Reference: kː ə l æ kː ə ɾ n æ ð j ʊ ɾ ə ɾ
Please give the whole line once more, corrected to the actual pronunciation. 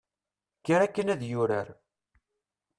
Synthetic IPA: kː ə ɾ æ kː ə n æ ð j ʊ ɾ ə ɾ